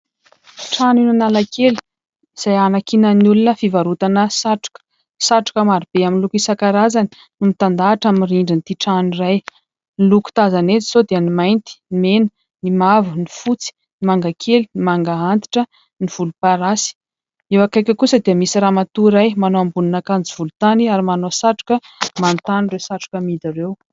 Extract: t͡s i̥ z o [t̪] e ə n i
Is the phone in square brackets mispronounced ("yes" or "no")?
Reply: yes